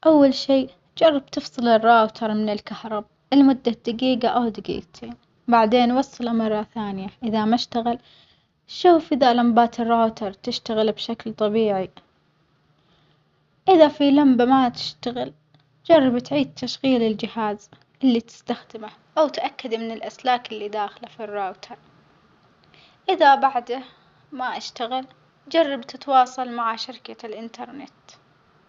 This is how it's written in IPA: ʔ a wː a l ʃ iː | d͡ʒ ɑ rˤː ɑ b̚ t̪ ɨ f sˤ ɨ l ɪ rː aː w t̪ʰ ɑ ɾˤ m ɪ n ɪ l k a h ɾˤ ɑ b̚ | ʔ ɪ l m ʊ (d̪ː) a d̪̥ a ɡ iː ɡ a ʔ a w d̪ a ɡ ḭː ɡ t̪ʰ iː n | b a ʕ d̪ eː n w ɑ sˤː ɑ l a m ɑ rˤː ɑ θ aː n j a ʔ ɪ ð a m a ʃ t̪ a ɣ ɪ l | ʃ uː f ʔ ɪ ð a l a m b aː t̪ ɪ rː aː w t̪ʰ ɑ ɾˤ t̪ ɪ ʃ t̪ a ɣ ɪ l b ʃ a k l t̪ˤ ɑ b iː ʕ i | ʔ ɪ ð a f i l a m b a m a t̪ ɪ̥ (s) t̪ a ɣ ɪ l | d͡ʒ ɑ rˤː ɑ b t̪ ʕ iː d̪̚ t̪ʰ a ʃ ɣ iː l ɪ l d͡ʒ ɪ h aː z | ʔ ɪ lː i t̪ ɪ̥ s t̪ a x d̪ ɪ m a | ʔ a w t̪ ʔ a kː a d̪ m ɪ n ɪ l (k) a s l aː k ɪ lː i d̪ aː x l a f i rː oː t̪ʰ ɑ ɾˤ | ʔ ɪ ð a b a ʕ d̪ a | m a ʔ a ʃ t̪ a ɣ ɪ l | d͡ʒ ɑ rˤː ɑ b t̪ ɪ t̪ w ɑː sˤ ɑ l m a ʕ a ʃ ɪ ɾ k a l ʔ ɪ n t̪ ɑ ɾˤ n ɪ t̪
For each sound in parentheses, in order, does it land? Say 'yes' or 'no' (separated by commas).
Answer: yes, no, no